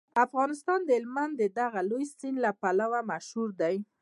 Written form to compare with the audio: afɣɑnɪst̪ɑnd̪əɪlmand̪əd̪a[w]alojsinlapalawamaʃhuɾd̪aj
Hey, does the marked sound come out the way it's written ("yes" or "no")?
no